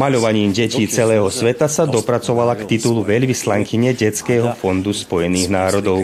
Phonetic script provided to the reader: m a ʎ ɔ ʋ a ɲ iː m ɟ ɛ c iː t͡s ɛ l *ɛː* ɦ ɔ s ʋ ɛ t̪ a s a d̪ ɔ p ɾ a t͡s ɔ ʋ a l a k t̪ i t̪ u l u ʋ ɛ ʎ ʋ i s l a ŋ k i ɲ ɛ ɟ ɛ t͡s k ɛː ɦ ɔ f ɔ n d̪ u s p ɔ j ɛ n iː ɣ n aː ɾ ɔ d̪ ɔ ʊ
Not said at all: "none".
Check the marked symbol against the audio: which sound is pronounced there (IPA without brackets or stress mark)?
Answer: ɛː